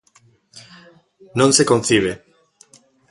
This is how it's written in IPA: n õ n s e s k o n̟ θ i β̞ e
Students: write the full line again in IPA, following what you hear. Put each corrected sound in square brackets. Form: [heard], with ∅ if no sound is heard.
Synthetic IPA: n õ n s e [∅] k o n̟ θ i β̞ e